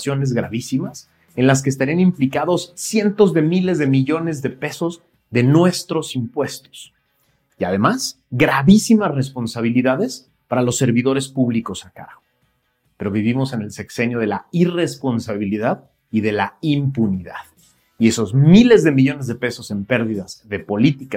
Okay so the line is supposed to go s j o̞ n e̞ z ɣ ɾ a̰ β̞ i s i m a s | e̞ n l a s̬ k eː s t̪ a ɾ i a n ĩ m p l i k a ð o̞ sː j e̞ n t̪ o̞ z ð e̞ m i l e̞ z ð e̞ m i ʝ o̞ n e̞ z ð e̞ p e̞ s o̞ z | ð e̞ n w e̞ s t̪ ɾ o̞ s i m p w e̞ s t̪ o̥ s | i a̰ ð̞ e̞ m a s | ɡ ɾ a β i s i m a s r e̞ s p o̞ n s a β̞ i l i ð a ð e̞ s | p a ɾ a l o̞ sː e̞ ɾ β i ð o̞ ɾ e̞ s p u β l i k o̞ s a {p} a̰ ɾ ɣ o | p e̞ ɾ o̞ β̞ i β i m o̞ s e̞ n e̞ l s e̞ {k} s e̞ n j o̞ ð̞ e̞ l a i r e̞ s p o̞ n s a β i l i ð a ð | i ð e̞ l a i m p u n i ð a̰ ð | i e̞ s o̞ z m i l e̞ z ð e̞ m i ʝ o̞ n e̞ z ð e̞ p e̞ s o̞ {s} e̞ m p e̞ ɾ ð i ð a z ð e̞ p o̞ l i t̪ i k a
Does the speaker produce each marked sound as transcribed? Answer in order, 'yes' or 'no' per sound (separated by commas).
no, yes, yes